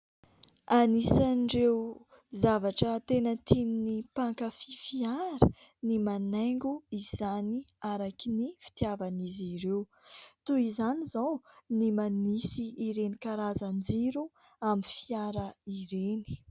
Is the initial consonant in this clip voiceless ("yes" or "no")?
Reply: no